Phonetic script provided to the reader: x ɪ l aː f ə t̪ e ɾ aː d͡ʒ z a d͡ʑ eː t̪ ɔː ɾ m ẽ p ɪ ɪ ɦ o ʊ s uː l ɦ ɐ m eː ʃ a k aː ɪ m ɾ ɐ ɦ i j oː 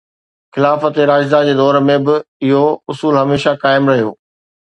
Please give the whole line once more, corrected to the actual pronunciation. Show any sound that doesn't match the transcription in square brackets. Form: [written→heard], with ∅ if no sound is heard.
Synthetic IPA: x ɪ l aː f ə t̪ e ɾ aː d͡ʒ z a d͡ʑ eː [t̪→d̪] ɔː ɾ m ẽ [p→b] ɪ ɪ ɦ o ʊ s uː l ɦ ɐ m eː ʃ a k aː ɪ m ɾ ɐ ɦ i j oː

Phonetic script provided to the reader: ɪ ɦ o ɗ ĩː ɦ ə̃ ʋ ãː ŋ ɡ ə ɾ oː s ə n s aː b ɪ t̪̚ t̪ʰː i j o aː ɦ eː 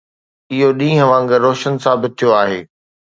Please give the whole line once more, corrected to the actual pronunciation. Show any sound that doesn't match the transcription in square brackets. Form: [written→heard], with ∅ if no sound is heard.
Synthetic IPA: ɪ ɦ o ɗ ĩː ɦ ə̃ ʋ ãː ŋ ɡ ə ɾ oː [s→ʃ] ə n s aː b ɪ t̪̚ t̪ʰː i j o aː ɦ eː

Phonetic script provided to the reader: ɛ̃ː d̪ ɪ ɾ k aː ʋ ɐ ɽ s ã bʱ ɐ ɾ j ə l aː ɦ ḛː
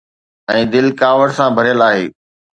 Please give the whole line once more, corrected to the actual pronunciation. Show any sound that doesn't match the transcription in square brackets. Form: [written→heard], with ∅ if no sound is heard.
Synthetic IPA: ɛ̃ː d̪ ɪ [ɾ→l] k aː ʋ [ɐ→ə] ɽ s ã bʱ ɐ ɾ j ə l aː ɦ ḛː

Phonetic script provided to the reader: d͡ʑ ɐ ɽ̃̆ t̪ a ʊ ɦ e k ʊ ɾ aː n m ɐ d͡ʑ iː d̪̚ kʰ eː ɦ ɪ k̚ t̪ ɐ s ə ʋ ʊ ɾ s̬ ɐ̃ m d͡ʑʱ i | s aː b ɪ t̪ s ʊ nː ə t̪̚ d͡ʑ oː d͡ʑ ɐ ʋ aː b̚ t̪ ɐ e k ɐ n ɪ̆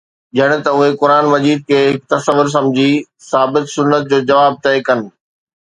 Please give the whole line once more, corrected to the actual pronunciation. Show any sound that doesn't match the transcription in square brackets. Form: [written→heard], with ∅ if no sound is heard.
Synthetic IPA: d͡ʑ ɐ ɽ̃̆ t̪ [a→ɐ] ʊ ɦ e k ʊ ɾ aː n m ɐ d͡ʑ iː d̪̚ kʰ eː ɦ ɪ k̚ t̪ ɐ s ə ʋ ʊ ɾ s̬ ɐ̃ m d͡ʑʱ i | s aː b ɪ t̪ s ʊ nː ə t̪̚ d͡ʑ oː d͡ʑ ɐ ʋ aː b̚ t̪ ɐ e k ɐ n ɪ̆

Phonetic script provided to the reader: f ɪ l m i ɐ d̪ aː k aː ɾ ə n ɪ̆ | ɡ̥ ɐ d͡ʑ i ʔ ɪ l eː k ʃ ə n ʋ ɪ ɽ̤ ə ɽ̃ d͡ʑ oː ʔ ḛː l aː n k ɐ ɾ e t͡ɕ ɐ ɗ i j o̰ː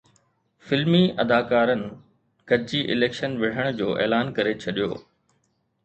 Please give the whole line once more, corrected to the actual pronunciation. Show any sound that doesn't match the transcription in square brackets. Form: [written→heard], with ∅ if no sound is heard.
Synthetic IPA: f ɪ l m i ɐ d̪ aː k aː ɾ ə n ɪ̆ | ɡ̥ ɐ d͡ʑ i ʔ ɪ l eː k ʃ ə n ʋ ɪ ɽ̤ ə ɽ̃ d͡ʑ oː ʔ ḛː l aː n k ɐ ɾ e [t͡ɕ→t͡ɕʰ] ɐ ɗ i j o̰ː

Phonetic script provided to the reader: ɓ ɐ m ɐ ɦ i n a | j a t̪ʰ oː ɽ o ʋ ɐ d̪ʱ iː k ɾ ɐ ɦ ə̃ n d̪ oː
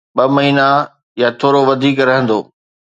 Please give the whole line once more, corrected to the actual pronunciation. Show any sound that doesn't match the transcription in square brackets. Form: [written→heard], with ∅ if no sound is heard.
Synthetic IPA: ɓ ɐ m ɐ ɦ [i→iː] n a | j a t̪ʰ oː [ɽ→ɾ] o ʋ ɐ d̪ʱ iː k ɾ ɐ ɦ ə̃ n d̪ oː

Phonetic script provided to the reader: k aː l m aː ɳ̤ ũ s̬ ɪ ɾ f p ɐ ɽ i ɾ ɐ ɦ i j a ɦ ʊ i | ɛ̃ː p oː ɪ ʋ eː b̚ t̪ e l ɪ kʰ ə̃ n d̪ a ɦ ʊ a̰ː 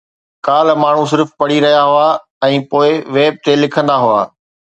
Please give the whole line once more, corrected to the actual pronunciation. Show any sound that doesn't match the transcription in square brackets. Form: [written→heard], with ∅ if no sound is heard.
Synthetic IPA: k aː l m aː ɳ̤ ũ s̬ ɪ ɾ f p ɐ ɽ i ɾ ɐ ɦ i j a ɦ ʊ [i→a] | ɛ̃ː p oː ɪ ʋ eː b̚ t̪ e l ɪ kʰ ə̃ n d̪ a ɦ ʊ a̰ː

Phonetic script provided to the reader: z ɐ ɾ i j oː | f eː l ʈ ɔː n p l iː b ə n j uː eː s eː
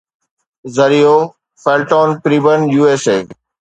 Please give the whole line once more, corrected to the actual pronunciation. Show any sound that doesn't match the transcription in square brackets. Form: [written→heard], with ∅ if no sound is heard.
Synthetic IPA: z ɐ ɾ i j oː | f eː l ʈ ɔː n p [l→ɾ] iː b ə n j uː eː s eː

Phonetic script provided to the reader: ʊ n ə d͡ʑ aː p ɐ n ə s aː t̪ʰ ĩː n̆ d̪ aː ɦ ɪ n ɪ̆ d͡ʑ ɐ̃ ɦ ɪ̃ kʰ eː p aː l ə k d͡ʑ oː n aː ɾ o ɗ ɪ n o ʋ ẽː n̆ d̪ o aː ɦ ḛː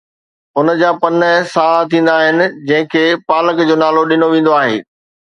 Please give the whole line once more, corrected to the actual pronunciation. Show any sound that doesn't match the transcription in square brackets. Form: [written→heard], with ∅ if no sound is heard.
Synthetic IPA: ʊ n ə d͡ʑ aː p ɐ n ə s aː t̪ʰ ĩː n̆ d̪ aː ɦ ɪ n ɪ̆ d͡ʑ ɐ̃ ɦ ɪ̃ kʰ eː p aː l ə k d͡ʑ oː n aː [ɾ→l] o ɗ ɪ n o ʋ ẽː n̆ d̪ o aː ɦ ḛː

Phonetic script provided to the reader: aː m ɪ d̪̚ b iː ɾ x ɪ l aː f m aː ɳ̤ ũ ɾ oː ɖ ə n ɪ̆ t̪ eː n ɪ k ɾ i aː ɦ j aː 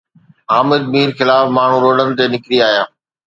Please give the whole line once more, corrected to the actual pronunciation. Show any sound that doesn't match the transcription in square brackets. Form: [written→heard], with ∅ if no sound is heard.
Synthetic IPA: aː m ɪ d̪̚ [b→m] iː ɾ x ɪ l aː f m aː ɳ̤ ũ ɾ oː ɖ ə n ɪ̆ t̪ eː n ɪ k ɾ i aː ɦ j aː

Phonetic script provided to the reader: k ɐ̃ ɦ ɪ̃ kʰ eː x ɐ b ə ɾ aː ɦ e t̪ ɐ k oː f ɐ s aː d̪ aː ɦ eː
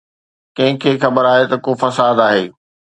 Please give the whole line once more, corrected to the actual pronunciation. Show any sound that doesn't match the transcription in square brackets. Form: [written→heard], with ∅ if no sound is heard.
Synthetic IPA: k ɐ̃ ɦ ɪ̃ kʰ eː x ɐ b ə ɾ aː ɦ e t̪ ɐ k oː f ɐ s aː d̪ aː ɦ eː

